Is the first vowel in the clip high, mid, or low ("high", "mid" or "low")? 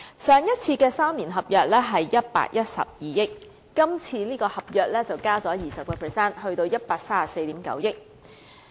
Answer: mid